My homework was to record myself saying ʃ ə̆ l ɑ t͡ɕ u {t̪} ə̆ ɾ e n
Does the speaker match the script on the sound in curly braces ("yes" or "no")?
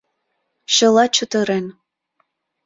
yes